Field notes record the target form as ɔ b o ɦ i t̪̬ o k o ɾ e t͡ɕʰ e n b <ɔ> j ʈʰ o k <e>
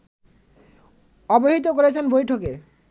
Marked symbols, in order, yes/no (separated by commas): no, yes